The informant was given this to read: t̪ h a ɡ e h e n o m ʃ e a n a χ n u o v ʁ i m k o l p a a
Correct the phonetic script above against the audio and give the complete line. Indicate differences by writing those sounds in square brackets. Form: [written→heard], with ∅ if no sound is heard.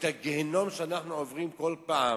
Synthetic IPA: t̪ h a ɡ e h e n o m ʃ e a n a χ n u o v ʁ i m k o l p a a